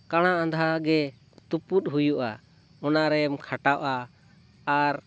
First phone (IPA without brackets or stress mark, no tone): k